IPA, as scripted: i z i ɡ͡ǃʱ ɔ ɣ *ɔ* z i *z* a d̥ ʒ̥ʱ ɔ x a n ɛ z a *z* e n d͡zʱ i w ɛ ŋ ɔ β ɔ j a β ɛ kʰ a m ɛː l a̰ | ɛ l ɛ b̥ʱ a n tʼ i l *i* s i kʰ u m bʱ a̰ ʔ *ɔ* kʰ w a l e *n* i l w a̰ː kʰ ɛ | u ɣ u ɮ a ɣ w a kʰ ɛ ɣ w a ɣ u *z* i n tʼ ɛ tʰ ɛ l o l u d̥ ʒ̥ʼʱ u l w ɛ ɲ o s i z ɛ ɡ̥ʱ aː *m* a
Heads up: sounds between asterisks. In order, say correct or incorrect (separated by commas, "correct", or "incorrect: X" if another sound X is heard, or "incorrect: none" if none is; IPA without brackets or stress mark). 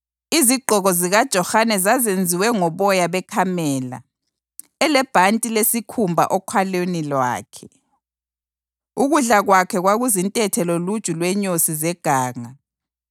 correct, incorrect: ɣ, correct, incorrect: e, correct, correct, correct, incorrect: ŋ